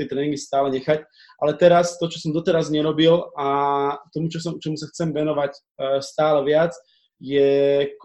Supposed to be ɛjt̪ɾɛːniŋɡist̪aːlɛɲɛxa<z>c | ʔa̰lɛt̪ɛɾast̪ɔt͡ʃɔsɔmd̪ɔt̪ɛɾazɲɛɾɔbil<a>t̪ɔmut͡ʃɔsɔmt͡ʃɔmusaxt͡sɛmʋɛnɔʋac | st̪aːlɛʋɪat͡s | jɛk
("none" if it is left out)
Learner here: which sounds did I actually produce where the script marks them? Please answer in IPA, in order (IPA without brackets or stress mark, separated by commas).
none, a